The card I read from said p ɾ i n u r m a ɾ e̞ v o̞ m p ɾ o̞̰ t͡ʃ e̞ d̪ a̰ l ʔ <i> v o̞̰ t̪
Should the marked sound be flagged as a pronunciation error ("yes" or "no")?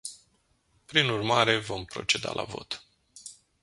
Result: yes